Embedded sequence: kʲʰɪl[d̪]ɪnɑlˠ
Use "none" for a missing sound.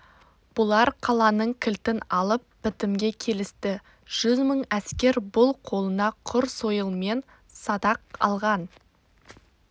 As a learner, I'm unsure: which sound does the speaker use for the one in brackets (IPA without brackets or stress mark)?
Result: t̪